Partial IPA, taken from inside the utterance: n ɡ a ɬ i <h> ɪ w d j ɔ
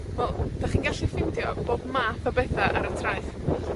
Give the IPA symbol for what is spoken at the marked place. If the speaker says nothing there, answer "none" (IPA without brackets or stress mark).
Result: f